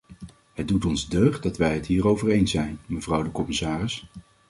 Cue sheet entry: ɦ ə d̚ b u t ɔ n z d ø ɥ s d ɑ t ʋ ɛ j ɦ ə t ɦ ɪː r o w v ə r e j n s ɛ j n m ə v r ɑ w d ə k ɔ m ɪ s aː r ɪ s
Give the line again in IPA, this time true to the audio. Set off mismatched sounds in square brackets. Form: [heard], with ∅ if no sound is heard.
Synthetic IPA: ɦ ə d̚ [d] u t ɔ n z d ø ɥ [χ] d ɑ t ʋ ɛ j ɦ ə t ɦ [iː] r o w v ə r e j n s ɛ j n m ə v r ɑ w d ə k ɔ m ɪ s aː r ɪ s

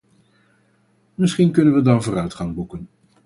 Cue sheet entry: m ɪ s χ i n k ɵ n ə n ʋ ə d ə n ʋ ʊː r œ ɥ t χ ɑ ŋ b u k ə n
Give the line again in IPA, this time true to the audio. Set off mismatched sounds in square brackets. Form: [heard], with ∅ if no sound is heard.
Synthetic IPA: m ɪ s χ i n k ɵ n ə n ʋ ə d [ɑ] n [v] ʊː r œ ɥ t χ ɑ ŋ b u k ə n

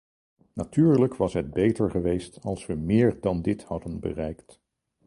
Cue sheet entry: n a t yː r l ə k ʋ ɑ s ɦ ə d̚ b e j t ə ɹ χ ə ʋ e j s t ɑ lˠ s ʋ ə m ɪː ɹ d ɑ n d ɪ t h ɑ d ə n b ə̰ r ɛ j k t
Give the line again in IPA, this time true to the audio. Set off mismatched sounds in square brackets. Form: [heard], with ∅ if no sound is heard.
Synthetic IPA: n a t yː [ɹ] l ə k ʋ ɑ s ɦ ə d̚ b e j t ə ɹ χ ə ʋ e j s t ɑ lˠ s ʋ ə m ɪː ɹ d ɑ n d ɪ t h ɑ d ə n b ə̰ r ɛ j k t

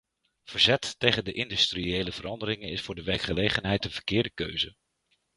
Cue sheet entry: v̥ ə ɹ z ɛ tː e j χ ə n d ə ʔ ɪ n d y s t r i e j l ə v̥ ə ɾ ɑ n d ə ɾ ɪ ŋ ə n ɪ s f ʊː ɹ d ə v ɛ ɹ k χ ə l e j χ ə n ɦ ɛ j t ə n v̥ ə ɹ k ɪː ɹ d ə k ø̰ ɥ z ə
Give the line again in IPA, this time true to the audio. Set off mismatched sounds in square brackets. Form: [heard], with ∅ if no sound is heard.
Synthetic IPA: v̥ ə ɹ z ɛ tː e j χ ə n d ə ʔ ɪ n d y s t r i e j l ə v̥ ə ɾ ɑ n d ə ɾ ɪ ŋ ə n ɪ s f ʊː ɹ d ə [ʋ] ɛ ɹ k χ ə l e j χ ə n ɦ ɛ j t ə n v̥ ə ɹ k ɪː ɹ d ə k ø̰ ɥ z ə

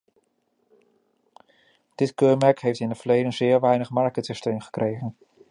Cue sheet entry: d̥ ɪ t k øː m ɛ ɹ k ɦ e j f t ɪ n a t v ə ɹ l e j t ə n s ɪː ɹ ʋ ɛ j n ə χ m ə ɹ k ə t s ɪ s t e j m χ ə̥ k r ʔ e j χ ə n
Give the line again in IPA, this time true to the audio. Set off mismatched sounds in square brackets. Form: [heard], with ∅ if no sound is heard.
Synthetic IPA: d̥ ɪ t k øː m ɛ ɹ k ɦ e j f t ɪ n [ə] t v ə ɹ l e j [d] ə n [z] ɪː ɹ ʋ ɛ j n ə χ m [ɑ] ɹ k ə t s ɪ s t e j m χ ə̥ k r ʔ e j χ ə n

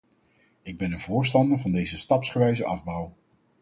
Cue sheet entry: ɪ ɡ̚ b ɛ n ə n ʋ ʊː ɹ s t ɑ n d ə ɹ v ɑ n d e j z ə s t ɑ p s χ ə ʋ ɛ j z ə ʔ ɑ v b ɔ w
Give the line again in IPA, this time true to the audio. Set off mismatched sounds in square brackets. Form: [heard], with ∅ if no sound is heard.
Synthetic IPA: ɪ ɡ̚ b ɛ n ə n [v] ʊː ɹ s t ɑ n d ə ɹ v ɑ n d e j z ə s t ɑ p s χ ə ʋ ɛ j z ə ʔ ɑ v b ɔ w

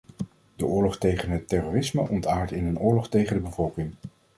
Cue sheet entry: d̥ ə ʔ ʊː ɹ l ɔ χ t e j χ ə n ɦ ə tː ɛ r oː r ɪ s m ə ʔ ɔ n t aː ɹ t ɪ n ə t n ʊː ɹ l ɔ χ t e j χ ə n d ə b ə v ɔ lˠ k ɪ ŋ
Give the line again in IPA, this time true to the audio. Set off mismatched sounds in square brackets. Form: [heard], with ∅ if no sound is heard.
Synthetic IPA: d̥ ə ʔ ʊː ɹ l ɔ χ t e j χ ə n ɦ ə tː ɛ r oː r ɪ s m ə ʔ ɔ n t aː ɹ t ɪ n ə [∅] n ʊː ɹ l ɔ χ t e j χ ə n d ə b ə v ɔ lˠ k ɪ ŋ

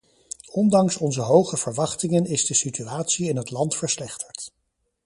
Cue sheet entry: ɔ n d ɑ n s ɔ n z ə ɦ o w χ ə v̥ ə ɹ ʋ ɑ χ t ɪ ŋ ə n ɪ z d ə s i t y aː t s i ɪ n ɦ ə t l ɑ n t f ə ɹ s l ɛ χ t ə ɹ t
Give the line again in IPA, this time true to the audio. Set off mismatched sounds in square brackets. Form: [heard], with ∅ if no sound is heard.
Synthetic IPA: ɔ n d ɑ [ŋ] s ɔ n z ə ɦ o w χ ə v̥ ə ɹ ʋ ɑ χ t ɪ ŋ ə n ɪ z d ə s i t y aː t s i ɪ n ɦ ə t l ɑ n t f ə ɹ s l ɛ χ t ə ɹ t

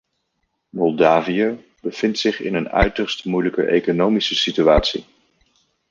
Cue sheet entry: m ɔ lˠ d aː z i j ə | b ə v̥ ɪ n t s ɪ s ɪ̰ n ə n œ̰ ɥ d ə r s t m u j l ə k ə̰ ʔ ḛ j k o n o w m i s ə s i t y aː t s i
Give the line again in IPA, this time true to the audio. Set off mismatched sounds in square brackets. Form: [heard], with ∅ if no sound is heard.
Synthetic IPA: m ɔ lˠ d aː [v] i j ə | b ə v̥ ɪ n t s ɪ [χ] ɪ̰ n ə n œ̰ ɥ [t] ə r s t m u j l ə k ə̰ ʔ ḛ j k o n o w m i s ə s i t y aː t s i

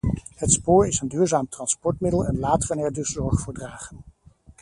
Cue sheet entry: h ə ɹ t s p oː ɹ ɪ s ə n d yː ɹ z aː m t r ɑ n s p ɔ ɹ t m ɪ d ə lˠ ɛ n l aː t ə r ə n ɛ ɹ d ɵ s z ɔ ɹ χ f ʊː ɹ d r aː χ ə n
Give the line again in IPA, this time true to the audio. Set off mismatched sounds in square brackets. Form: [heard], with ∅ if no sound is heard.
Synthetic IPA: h ə [∅] t s p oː ɹ ɪ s ə n d yː ɹ z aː m t r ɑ n s p ɔ ɹ t m ɪ d ə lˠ ɛ n l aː t ə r ə n ɛ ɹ d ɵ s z ɔ ɹ χ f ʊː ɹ d r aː χ ə n

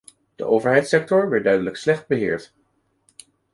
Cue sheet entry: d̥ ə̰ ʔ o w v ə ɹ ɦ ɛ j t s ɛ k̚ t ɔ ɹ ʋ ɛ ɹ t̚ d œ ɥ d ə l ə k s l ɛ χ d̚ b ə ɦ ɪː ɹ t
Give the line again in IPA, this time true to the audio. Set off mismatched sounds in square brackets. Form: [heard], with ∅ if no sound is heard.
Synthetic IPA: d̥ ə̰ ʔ o w v ə ɹ ɦ ɛ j t s ɛ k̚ t ɔ ɹ ʋ ɛ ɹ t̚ d œ ɥ d ə l ə k s l ɛ χ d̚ b ə ɦ ɪː ɹ t

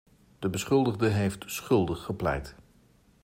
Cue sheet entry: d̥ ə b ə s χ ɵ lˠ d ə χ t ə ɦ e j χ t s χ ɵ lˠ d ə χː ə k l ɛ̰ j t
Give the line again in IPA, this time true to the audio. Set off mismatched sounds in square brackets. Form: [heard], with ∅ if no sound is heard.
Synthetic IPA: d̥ ə b ə s χ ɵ lˠ d ə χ [d] ə ɦ e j [f] t s χ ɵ lˠ d ə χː ə [p] l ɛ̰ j t

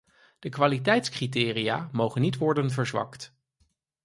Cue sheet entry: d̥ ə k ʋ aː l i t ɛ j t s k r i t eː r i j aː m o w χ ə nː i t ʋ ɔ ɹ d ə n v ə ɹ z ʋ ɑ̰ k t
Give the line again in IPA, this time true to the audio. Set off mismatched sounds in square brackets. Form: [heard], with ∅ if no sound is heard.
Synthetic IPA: d̥ ə k ʋ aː l i t ɛ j t s k r i t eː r i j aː m o w χ ə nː i t ʋ ɔ ɹ d ə n v ə ɹ z ʋ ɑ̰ k t

